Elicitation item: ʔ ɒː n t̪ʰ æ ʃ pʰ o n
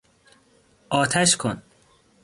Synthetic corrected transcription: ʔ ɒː t̪ʰ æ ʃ kʰ o n